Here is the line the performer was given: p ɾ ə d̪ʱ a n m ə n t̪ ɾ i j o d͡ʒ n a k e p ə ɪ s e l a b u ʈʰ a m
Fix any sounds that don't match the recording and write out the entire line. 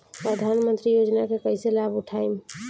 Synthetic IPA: p ɾ ə d̪ʱ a n m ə n t̪ ɾ i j o d͡ʒ n a k e k ə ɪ s e l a b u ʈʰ a m